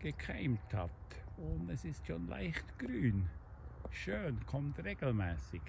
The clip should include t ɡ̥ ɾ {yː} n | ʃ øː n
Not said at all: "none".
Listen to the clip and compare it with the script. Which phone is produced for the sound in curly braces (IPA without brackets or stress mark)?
yː